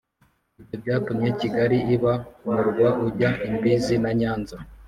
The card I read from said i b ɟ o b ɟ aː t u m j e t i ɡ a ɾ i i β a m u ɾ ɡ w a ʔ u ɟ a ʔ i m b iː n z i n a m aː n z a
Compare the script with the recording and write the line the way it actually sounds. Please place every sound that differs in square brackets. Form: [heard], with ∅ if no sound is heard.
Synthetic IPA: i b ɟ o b ɟ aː t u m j e [c] i ɡ a ɾ i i β a m u ɾ ɡ w a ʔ u ɟ a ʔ i m b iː [∅] z i n a [ɲ] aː n z a